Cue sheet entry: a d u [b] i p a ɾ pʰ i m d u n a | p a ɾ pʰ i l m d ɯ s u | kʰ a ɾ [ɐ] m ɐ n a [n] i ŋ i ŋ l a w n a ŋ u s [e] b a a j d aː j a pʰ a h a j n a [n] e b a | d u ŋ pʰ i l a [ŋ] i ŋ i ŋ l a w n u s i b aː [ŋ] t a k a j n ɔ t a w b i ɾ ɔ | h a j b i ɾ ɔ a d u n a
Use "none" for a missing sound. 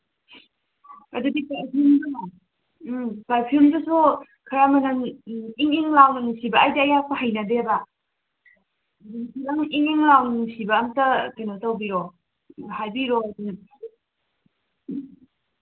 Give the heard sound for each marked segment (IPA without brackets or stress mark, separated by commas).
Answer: d, a, ŋ, i, d, ŋ, ŋ